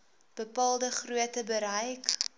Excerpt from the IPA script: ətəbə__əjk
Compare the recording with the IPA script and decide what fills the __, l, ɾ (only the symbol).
ɾ